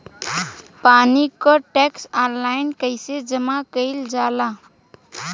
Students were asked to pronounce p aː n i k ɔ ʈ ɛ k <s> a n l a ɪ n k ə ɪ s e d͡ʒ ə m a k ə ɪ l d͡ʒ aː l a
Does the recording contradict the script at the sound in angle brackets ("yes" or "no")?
no